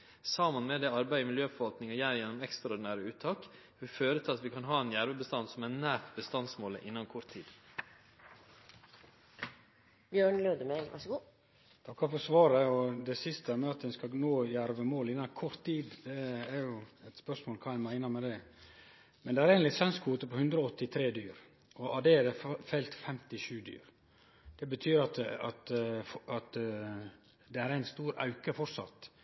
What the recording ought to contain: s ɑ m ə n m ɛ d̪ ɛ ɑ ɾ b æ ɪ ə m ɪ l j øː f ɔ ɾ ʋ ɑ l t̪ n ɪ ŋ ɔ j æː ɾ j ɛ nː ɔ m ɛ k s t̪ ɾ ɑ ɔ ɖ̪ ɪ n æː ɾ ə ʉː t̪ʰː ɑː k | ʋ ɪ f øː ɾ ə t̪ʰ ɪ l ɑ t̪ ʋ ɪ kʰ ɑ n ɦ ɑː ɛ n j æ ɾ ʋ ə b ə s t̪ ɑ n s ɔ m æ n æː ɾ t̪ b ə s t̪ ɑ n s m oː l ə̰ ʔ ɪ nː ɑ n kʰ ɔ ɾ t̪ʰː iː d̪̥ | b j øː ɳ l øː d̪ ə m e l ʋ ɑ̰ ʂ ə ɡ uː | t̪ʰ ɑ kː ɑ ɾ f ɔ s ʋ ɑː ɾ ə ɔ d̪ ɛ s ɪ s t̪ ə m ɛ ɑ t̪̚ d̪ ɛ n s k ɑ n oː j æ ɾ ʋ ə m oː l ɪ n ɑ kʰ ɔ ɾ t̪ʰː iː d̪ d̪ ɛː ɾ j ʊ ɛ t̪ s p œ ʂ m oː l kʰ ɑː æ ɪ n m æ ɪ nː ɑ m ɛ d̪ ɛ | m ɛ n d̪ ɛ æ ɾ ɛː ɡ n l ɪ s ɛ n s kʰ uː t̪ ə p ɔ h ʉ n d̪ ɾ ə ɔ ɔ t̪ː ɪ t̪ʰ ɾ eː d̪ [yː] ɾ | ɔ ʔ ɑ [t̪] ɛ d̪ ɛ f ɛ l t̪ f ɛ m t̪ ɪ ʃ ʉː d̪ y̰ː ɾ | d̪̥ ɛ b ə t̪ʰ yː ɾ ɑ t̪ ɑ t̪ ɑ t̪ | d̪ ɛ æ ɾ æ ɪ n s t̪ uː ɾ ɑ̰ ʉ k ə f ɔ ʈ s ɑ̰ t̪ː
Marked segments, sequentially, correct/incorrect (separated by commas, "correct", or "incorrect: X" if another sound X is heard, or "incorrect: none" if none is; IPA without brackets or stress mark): correct, incorrect: d̪